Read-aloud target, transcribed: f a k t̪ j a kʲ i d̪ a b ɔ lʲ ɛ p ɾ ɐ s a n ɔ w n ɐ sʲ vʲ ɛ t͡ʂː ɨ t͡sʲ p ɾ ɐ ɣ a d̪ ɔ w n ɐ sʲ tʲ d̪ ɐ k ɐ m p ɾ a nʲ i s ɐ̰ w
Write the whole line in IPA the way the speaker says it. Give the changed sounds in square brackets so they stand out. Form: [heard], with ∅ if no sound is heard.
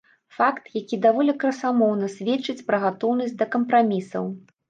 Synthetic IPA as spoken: f a k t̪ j a kʲ i d̪ a [v] ɔ lʲ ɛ [k] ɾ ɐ s a [m] ɔ w n ɐ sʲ vʲ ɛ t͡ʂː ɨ t͡sʲ p ɾ ɐ ɣ a [t̪] ɔ w n ɐ sʲ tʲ d̪ ɐ k ɐ m p ɾ a [mʲ] i s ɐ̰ w